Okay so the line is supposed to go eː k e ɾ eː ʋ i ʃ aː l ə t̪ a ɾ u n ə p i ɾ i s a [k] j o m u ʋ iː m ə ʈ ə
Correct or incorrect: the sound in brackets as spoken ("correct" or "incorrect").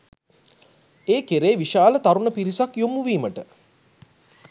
correct